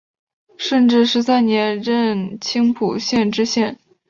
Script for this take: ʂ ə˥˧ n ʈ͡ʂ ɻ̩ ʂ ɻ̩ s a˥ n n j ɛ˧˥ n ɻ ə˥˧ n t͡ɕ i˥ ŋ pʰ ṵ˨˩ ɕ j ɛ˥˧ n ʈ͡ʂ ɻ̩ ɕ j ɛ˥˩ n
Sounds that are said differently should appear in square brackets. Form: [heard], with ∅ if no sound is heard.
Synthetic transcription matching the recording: ʂ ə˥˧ n ʈ͡ʂ ɻ̩ ʂ ɻ̩ s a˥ n n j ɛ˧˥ n ɻ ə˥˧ n [t͡ɕʰ] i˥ ŋ pʰ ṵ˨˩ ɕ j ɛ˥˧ n ʈ͡ʂ ɻ̩ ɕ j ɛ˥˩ n